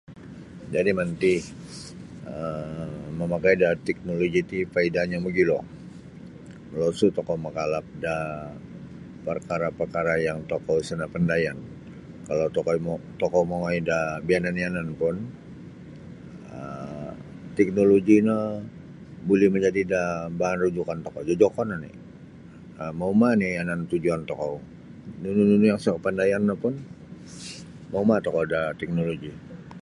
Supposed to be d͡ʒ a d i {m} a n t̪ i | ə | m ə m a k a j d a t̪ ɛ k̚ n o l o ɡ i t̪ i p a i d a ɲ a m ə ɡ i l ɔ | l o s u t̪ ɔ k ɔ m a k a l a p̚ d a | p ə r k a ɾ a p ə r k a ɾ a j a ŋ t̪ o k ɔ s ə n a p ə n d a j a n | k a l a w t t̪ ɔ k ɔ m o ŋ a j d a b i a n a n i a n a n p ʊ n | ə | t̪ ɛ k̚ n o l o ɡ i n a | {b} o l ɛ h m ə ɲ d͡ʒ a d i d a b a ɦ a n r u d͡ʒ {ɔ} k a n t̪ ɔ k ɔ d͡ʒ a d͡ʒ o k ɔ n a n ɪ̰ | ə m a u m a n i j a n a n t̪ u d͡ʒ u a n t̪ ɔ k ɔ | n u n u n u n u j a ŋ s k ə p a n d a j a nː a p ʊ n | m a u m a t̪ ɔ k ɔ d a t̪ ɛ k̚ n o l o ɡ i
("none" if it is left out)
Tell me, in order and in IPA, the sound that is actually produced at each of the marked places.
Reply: m, b, u

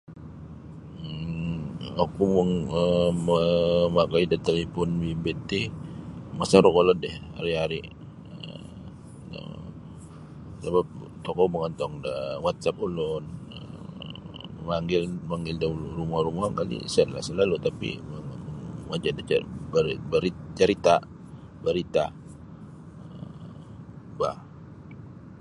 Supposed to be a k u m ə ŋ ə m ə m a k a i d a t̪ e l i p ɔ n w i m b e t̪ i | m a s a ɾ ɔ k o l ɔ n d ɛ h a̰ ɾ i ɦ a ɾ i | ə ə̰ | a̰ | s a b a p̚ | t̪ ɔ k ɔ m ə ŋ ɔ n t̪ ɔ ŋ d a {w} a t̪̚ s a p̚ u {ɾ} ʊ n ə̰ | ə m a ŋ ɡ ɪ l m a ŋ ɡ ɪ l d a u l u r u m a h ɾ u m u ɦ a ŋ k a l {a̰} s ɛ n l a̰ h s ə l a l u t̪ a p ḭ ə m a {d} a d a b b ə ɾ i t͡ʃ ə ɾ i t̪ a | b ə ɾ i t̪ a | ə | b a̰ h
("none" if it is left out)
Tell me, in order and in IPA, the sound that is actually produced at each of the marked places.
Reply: w, l, ḭ, d͡ʒ

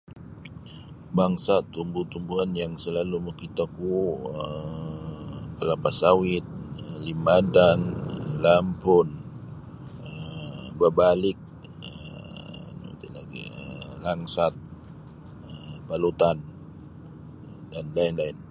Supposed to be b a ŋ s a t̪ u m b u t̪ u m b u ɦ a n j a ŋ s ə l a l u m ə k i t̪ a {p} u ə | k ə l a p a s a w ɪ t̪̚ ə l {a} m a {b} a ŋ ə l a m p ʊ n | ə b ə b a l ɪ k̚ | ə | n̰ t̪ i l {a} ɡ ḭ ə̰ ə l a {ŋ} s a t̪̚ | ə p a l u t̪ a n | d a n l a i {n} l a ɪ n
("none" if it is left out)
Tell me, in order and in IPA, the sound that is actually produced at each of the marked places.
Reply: k, i, d, a, ŋ, n

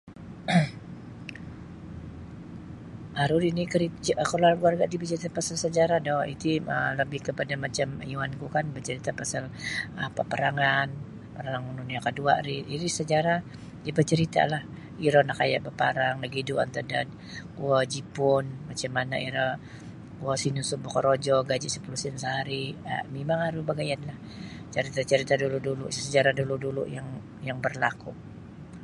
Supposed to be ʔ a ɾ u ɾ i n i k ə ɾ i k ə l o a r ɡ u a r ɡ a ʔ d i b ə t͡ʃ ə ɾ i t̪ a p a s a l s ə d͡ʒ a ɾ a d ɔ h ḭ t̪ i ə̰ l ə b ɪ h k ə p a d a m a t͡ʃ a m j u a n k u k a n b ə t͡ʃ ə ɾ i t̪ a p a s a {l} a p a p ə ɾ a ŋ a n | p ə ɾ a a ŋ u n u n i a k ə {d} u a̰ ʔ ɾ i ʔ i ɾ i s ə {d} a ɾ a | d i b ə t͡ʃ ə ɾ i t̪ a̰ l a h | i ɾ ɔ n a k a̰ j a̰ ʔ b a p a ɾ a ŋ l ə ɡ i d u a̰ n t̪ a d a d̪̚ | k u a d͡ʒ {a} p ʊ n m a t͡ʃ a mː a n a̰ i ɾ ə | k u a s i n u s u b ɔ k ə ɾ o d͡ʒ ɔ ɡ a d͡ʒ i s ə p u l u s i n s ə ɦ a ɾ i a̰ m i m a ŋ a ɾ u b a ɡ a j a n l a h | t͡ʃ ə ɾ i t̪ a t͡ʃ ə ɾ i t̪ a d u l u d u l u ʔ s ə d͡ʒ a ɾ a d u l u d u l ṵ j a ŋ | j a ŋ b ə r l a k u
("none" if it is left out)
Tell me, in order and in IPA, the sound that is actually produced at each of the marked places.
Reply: l, d, d͡ʒ, i

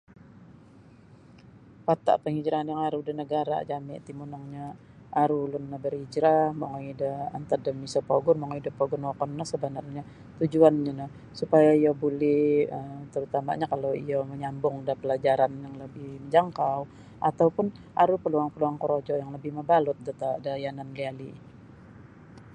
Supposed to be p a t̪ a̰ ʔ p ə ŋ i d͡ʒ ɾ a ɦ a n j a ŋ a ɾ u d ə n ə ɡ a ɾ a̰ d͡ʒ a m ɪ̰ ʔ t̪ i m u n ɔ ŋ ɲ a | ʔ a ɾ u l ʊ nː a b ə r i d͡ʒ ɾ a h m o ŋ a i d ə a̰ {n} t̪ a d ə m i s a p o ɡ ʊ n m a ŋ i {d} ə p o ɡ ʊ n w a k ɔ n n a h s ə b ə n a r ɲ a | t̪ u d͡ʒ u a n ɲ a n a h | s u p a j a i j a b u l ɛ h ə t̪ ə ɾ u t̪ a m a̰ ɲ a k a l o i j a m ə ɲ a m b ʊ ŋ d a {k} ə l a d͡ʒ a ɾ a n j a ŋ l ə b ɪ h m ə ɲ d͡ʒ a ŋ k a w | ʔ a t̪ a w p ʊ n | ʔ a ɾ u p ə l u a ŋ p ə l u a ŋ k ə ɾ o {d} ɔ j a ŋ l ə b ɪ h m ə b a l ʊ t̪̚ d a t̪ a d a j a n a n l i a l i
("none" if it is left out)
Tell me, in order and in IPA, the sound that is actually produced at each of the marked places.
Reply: n, d, p, d͡ʒ

